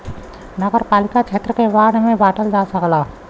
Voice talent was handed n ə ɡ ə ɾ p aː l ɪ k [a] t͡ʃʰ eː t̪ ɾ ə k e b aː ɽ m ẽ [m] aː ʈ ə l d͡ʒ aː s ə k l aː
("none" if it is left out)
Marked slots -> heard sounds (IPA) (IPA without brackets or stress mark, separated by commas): a, b